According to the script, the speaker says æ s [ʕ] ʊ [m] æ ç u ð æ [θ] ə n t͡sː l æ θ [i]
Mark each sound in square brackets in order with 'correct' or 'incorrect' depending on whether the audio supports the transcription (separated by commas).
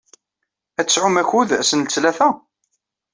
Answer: correct, correct, incorrect, incorrect